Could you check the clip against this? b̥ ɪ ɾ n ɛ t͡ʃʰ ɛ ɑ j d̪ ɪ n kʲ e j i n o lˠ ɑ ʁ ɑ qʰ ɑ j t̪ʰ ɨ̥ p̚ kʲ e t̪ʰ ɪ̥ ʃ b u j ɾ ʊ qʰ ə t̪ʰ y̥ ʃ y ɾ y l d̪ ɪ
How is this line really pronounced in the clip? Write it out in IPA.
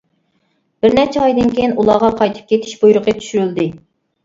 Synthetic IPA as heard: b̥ ɪ ɾ n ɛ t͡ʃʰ ɛ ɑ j d̪ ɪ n kʲ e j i n u lˠ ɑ ʁ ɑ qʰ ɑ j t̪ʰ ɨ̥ p̚ kʲ e t̪ʰ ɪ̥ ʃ b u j ɾ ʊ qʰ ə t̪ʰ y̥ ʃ y ɾ y l d̪ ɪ